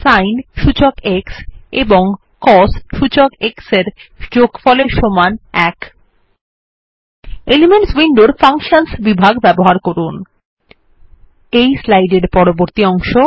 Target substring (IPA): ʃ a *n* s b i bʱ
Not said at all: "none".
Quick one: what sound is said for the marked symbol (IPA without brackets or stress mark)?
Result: n